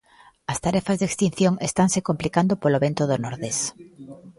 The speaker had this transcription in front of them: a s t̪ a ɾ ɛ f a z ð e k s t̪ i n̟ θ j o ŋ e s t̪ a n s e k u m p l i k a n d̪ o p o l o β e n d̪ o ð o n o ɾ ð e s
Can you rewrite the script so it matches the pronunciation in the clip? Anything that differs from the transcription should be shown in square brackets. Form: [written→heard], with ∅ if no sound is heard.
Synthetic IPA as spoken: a s t̪ a ɾ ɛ f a z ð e k s t̪ i n̟ θ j o ŋ e s t̪ a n s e k [u→o] m p l i k a n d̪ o p o l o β e n [d̪→t̪] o ð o n o ɾ ð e s